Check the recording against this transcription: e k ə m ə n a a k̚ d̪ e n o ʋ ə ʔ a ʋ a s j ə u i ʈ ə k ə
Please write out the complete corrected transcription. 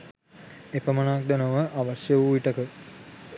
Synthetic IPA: e p ə m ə n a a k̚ d̪ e n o ʋ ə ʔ a ʋ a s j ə u i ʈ ə k ə